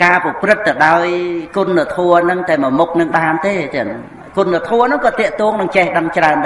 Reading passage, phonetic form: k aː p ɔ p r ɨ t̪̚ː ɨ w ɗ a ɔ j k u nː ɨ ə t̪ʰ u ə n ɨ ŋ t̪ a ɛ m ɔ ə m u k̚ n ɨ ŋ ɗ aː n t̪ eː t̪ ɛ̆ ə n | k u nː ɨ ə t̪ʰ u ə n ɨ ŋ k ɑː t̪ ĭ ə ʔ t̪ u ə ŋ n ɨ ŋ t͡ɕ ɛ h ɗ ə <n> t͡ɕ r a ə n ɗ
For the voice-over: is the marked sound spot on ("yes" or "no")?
no